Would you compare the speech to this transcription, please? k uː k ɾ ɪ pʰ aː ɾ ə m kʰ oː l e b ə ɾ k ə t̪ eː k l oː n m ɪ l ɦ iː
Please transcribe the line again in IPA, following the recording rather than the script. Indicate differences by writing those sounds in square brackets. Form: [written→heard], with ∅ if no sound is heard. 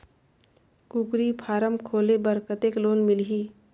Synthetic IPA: k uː k ɾ [ɪ→i] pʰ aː ɾ ə m kʰ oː l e b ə ɾ k ə t̪ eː k l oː n m ɪ l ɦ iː